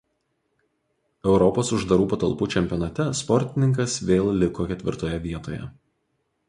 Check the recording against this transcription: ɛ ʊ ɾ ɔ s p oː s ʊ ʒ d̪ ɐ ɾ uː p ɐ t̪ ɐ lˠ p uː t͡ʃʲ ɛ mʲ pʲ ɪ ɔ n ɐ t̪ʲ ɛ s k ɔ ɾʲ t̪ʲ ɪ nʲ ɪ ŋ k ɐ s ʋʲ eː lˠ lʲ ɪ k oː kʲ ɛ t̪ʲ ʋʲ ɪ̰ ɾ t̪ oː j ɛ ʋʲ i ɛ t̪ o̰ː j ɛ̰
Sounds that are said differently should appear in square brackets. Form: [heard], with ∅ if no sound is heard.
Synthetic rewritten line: ɛ ʊ ɾ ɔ [∅] p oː s ʊ ʒ d̪ ɐ ɾ uː p ɐ t̪ ɐ lˠ p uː t͡ʃʲ ɛ mʲ pʲ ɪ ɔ n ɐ t̪ʲ ɛ s [p] ɔ ɾʲ t̪ʲ ɪ nʲ ɪ ŋ k ɐ s ʋʲ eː lˠ lʲ ɪ k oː kʲ ɛ t̪ʲ ʋʲ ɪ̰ ɾ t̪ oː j ɛ ʋʲ i ɛ t̪ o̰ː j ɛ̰